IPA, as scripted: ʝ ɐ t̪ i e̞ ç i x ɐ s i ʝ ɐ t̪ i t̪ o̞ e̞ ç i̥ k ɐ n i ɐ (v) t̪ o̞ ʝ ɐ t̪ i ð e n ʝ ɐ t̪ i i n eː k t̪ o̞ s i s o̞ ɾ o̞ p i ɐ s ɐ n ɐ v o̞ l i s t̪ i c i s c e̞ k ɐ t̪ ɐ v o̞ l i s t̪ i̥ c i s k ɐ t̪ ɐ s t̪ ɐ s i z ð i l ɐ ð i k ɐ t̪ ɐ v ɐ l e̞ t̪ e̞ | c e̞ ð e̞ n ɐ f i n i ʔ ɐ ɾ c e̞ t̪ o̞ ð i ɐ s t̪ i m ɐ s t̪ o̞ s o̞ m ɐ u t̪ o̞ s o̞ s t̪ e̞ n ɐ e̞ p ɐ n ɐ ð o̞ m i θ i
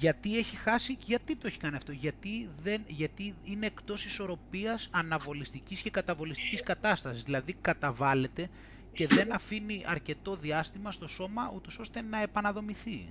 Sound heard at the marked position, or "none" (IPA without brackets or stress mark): f